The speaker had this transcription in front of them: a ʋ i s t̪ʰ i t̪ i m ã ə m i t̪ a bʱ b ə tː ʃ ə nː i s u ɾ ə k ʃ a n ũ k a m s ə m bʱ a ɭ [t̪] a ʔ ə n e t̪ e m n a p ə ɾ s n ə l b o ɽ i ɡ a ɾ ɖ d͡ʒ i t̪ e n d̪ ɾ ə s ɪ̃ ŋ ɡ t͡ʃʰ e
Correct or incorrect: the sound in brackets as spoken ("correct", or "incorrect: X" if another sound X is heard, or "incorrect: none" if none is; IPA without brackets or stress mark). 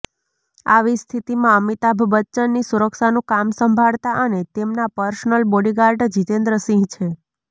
correct